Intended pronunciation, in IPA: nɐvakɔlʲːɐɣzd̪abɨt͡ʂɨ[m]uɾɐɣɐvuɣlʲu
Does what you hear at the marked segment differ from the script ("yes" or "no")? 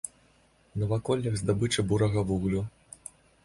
yes